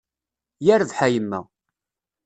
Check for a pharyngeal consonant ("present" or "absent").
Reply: present